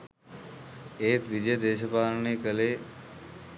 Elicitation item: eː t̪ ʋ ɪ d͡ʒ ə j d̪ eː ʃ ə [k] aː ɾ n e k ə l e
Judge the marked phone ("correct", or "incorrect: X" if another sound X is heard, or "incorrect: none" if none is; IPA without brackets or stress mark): incorrect: p